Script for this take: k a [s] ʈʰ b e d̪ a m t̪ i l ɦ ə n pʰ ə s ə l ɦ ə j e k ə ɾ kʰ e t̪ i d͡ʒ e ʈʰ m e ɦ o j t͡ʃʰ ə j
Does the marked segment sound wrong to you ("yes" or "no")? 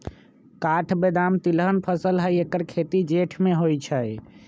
yes